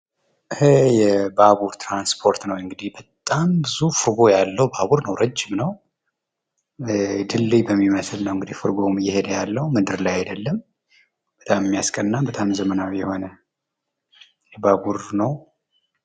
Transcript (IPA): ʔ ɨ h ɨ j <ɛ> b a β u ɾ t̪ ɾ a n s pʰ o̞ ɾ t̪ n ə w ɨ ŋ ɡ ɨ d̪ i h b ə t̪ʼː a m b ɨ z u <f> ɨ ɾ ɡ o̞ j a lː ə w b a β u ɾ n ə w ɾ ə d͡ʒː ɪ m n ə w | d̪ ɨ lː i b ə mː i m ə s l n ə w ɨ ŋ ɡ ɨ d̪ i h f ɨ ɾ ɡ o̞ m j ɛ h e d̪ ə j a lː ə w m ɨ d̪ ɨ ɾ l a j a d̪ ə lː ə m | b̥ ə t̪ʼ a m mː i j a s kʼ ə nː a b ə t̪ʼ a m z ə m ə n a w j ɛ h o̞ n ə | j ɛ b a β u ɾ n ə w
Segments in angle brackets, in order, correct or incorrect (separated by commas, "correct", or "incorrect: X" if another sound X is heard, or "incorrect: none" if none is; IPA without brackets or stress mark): correct, correct